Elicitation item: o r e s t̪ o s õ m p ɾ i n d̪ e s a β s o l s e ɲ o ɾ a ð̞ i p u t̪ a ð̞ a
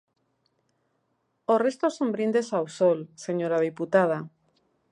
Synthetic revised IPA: o r e s t̪ o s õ m b ɾ i n d̪ e s a w s o l s e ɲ o ɾ a ð̞ i p u t̪ a ð̞ a